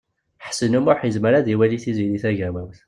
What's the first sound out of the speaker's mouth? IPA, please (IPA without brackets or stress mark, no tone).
ħ